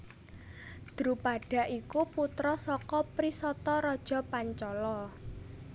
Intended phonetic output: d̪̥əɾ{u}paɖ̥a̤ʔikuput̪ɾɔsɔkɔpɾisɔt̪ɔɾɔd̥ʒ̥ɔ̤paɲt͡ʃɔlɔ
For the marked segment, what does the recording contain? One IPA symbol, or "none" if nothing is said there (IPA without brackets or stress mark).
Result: u